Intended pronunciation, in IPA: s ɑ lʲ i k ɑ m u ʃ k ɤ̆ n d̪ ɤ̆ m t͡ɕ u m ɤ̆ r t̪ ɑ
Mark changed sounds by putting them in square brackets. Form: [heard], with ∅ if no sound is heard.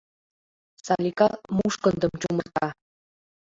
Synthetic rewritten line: s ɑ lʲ i k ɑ m u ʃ k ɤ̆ n d̪ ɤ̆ m t͡ɕ u m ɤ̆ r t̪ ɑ